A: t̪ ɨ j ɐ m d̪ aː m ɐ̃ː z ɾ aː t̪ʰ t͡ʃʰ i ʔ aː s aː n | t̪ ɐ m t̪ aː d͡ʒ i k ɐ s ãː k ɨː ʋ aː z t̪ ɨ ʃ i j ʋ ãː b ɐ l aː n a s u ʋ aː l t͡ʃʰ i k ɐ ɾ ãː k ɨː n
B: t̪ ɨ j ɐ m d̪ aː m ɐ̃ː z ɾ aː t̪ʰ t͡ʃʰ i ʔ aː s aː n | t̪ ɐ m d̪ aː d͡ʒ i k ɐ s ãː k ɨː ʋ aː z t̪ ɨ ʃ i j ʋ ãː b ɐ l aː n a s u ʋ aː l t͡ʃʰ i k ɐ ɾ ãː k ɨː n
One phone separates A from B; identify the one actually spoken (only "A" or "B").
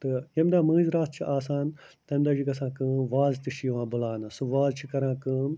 B